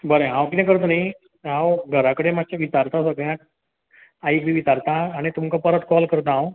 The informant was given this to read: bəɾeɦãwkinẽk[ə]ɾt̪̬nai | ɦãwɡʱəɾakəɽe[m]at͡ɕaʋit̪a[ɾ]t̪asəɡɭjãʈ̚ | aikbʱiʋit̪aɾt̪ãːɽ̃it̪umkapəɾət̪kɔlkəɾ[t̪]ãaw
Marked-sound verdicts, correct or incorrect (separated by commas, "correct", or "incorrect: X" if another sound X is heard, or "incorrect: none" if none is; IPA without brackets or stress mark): correct, correct, correct, correct